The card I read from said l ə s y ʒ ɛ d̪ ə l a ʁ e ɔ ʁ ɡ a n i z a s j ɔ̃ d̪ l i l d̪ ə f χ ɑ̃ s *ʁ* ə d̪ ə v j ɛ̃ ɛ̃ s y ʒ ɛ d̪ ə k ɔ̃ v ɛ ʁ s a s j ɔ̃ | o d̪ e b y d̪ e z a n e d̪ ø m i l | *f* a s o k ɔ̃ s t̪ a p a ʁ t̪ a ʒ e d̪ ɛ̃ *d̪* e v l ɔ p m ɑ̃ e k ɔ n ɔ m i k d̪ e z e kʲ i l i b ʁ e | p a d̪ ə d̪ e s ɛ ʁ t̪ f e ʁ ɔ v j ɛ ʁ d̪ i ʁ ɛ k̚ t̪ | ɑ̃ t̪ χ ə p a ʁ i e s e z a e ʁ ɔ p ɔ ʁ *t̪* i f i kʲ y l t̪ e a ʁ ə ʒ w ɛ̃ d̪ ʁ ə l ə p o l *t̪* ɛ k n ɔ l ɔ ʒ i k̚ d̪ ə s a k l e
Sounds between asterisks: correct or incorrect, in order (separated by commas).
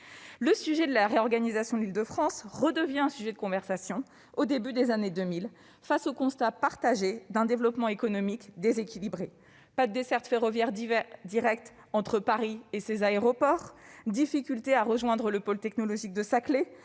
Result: correct, correct, correct, incorrect, correct